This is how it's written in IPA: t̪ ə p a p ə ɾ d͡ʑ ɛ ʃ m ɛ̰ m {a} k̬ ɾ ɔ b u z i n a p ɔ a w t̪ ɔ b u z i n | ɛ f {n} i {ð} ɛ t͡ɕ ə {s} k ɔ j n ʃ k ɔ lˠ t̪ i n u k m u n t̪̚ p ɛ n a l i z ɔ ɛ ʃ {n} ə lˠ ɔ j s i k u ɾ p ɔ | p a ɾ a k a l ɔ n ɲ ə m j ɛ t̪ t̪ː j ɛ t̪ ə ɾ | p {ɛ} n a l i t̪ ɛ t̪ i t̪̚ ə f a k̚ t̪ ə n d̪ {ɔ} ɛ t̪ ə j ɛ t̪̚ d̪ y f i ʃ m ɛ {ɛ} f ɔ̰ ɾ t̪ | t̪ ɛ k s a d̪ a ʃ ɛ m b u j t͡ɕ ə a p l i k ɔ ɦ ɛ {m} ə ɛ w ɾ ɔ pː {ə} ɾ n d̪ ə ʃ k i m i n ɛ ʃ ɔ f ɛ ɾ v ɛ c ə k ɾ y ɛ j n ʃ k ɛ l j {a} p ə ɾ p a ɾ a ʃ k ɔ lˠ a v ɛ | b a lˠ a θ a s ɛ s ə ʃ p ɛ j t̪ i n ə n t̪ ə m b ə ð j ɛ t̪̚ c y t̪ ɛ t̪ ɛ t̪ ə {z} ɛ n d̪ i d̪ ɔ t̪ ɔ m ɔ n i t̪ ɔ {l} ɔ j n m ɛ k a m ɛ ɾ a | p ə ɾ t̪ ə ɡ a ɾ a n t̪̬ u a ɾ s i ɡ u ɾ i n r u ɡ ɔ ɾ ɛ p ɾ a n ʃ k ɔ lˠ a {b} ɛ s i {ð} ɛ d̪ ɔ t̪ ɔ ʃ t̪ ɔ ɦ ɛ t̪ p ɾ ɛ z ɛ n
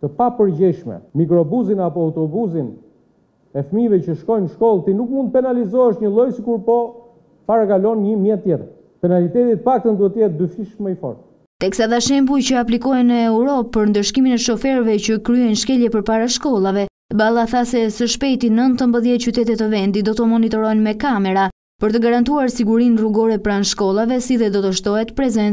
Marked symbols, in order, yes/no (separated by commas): no, no, no, no, no, yes, no, no, no, yes, no, no, no, no, yes